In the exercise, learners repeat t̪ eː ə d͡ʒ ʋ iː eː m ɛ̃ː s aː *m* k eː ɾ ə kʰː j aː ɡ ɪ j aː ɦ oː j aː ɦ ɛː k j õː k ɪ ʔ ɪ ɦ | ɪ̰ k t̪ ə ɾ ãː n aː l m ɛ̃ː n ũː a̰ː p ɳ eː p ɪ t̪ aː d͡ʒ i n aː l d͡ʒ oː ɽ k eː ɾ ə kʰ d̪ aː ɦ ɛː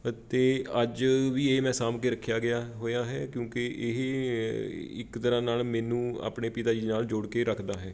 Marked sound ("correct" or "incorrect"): correct